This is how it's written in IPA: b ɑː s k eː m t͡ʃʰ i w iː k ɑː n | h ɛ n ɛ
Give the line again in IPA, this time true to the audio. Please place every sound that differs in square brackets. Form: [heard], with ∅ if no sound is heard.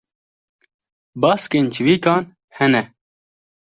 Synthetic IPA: b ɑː s k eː [n] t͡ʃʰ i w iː k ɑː n | h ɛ n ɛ